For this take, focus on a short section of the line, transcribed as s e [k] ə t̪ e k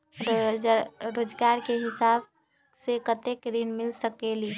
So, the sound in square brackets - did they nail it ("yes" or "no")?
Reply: yes